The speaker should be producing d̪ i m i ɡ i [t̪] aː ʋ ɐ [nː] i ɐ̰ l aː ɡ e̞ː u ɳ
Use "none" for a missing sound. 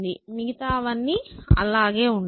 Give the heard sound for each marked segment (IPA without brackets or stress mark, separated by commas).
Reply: t̪, nː